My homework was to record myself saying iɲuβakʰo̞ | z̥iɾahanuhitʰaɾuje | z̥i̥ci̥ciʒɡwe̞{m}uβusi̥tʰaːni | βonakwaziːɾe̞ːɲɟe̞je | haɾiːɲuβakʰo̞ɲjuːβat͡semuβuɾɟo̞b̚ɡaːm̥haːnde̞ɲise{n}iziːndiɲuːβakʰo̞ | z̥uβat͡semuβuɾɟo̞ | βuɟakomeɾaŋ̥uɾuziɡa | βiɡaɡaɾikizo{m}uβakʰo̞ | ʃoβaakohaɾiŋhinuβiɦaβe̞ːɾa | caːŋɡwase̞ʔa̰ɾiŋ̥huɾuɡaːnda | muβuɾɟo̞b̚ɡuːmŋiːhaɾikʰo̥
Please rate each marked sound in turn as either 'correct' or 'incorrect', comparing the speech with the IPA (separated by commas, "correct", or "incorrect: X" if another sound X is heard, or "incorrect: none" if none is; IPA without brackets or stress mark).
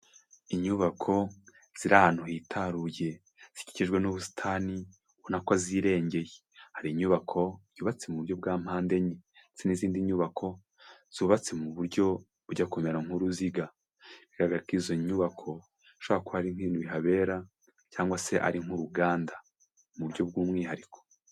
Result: incorrect: n, correct, incorrect: ɲ